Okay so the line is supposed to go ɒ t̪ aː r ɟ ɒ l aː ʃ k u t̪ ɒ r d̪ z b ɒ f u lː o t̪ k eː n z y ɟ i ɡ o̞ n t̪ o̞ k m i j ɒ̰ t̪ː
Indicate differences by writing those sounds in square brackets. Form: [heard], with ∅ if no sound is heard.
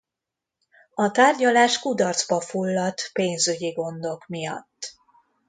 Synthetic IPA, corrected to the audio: ɒ t̪ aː r ɟ ɒ l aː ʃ k u [d̪] ɒ r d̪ z b ɒ f u lː [ɒ] t̪ [p] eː n z y ɟ i ɡ o̞ n [d̪] o̞ k m i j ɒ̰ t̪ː